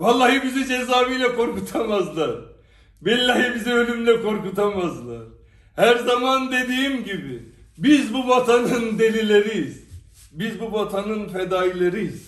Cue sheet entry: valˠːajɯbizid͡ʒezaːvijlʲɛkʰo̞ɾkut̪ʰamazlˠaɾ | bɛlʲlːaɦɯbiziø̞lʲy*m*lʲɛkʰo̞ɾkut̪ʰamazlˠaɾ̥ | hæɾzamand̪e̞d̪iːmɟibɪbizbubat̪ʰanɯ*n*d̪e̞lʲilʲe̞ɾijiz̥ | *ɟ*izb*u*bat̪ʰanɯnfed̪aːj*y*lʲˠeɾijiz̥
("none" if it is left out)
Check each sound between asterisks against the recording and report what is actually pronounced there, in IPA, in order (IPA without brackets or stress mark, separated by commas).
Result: m, n, b, u, i